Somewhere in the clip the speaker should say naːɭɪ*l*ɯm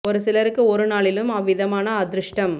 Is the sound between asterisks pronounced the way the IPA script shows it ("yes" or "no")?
yes